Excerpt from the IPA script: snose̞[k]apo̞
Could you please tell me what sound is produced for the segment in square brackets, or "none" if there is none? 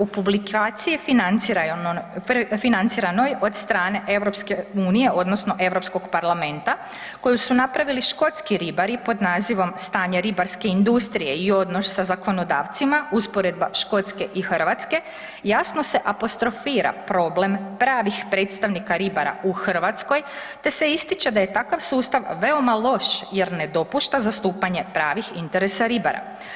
ʔ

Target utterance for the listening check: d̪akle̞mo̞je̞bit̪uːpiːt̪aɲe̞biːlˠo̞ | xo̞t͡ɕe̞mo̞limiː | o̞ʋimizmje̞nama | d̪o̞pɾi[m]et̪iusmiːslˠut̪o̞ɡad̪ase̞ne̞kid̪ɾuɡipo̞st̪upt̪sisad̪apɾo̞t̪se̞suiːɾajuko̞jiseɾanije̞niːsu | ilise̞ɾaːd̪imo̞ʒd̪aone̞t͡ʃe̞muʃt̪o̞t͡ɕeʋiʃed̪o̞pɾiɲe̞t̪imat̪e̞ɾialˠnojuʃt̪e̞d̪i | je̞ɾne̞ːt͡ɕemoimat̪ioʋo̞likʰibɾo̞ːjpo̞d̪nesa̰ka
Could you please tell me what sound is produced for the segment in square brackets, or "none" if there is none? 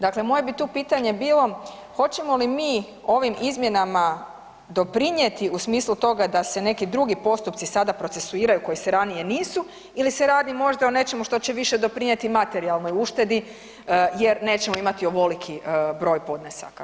ɲ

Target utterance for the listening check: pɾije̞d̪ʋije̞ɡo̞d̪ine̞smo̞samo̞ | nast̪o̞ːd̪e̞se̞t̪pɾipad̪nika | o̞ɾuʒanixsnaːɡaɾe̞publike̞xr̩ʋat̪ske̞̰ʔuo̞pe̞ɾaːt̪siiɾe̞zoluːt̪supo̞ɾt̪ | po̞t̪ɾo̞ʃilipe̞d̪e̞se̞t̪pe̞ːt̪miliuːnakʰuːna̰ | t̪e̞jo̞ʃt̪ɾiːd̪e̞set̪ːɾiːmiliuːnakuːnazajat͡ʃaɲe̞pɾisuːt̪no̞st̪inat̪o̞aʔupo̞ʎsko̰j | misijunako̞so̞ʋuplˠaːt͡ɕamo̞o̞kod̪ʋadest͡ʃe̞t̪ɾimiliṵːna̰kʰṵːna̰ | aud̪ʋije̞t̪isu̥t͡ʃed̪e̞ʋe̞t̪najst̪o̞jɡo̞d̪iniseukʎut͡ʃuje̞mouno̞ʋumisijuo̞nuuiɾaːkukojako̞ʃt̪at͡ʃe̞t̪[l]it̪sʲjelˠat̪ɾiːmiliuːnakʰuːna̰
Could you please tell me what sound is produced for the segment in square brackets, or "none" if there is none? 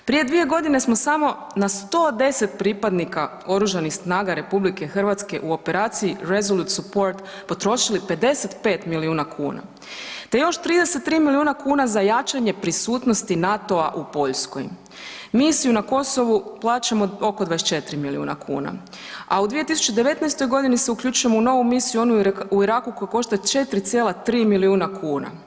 ɾ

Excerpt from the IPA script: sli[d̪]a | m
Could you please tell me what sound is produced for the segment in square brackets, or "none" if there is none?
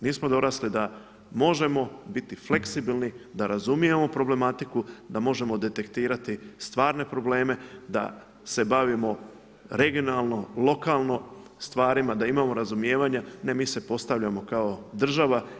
d̪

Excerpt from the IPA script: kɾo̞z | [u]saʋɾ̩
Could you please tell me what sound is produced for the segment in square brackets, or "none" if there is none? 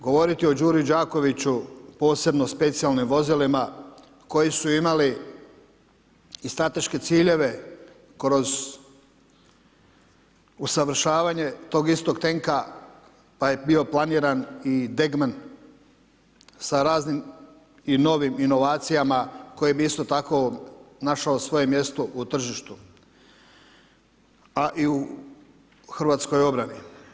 u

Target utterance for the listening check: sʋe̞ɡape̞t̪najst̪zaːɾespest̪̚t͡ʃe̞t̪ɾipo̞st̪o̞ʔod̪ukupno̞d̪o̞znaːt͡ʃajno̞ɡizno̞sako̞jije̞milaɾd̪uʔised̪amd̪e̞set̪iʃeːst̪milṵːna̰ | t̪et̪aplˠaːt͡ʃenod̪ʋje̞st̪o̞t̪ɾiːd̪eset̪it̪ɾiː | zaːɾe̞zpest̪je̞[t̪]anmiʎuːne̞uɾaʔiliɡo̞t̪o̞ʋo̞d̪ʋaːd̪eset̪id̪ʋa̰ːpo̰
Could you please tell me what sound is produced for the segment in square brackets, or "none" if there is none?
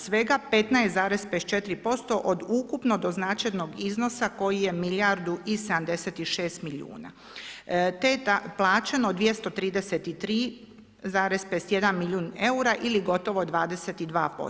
d̪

